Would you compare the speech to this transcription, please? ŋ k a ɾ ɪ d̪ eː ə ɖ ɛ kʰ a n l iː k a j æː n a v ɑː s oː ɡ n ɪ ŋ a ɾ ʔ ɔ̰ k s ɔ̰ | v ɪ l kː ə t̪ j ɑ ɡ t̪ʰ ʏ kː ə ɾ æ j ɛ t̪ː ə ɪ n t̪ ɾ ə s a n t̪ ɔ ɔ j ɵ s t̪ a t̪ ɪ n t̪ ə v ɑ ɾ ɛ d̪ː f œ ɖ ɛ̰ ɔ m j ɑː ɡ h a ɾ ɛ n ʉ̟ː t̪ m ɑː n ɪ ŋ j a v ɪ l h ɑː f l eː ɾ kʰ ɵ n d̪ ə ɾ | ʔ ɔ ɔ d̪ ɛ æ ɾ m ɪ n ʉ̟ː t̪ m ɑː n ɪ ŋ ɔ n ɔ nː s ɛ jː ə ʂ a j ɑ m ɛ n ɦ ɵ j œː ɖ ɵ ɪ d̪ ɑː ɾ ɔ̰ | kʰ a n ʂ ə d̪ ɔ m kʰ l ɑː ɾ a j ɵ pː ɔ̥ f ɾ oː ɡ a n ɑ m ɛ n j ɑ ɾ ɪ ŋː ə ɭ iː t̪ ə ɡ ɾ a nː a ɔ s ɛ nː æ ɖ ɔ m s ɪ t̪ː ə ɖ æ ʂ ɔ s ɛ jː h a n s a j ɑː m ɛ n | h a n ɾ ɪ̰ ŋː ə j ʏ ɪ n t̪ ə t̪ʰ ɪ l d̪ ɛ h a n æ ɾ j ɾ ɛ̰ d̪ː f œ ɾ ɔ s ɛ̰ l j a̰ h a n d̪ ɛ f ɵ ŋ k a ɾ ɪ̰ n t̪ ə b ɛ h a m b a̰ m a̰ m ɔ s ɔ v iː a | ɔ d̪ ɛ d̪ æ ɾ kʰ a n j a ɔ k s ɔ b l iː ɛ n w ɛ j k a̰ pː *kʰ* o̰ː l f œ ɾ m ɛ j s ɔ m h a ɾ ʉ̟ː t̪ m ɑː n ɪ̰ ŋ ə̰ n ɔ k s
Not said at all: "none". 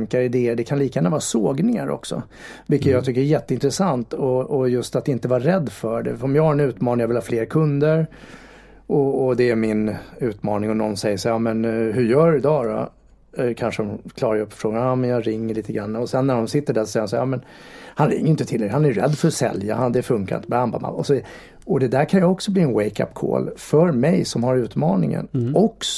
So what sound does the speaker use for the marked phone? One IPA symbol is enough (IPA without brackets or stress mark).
kʰ